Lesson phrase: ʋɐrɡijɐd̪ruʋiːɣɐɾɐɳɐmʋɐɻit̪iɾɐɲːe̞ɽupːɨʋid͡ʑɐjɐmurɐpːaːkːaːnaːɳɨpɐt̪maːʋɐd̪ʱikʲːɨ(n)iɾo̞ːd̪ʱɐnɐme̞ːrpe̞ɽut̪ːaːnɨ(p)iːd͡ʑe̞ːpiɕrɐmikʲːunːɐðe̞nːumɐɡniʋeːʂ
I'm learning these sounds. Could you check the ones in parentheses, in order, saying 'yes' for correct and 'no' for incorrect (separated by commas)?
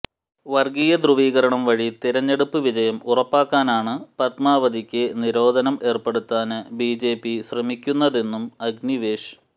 yes, no